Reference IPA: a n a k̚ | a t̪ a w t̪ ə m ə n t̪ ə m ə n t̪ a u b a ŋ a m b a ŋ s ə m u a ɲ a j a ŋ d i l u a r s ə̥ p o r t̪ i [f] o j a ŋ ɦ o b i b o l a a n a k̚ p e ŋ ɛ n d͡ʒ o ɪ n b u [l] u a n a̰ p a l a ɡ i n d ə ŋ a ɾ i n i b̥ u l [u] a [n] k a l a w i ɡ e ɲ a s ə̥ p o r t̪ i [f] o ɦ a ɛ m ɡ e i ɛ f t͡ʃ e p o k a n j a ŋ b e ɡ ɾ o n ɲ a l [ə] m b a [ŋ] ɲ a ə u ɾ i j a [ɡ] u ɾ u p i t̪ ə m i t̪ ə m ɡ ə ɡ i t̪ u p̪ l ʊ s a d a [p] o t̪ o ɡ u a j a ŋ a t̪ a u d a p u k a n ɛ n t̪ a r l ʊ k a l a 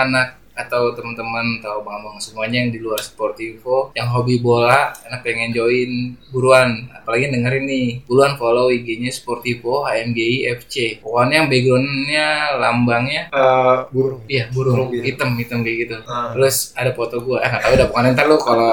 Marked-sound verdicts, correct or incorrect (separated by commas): correct, incorrect, correct, correct, correct, incorrect, correct, incorrect, correct